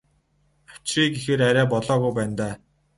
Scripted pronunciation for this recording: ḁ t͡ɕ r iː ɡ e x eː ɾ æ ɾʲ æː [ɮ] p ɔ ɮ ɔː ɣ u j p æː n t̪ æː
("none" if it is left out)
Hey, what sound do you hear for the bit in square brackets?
none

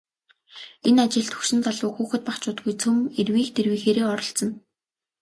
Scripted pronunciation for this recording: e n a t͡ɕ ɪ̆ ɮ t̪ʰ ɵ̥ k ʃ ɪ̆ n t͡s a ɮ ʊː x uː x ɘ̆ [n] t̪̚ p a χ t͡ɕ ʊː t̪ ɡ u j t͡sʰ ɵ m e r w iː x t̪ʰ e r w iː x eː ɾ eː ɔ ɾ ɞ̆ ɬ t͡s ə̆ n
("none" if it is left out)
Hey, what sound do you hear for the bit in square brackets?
none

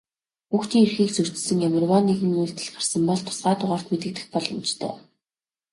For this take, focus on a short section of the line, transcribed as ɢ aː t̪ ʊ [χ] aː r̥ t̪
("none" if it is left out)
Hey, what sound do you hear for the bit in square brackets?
ʁ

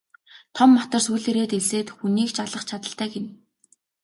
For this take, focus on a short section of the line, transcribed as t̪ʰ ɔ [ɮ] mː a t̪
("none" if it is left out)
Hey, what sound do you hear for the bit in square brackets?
none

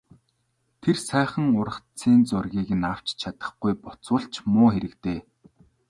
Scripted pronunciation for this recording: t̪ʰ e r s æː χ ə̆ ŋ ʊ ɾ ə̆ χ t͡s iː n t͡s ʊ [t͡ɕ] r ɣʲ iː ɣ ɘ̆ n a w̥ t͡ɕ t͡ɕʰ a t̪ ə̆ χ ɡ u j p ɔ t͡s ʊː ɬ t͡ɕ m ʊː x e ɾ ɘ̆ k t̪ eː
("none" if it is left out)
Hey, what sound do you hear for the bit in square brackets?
none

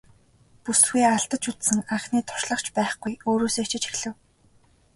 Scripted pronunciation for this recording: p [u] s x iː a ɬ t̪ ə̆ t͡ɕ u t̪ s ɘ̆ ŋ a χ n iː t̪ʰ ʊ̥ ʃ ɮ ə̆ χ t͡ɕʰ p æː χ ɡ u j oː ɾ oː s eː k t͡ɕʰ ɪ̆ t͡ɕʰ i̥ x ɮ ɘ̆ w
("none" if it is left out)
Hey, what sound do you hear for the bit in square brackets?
u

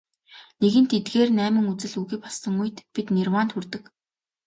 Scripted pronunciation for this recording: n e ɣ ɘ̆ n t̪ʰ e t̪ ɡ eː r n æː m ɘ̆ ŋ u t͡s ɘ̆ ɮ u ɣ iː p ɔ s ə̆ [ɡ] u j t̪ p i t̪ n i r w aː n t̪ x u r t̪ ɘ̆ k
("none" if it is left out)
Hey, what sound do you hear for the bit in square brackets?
ŋ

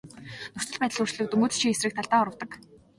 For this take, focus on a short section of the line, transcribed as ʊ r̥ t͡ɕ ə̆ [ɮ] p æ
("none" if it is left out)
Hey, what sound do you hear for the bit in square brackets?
ɮ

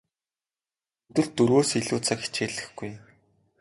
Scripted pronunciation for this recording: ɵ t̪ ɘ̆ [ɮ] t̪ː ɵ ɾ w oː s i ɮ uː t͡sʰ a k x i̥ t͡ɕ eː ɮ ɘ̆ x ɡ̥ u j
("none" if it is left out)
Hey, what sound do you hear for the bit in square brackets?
ɮ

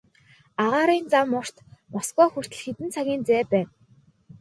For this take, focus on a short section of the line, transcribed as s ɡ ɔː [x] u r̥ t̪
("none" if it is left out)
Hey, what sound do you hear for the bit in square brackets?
x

